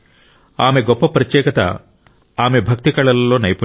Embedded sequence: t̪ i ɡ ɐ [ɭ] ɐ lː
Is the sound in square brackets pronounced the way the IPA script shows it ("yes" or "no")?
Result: yes